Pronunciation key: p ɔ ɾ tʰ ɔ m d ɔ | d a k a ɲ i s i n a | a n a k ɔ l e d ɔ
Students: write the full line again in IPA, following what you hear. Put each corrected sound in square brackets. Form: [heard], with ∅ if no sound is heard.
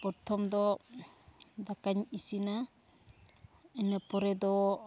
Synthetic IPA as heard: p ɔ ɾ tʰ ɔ m d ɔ | d a k a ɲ i s i n a | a n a [p] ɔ [ɾ] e d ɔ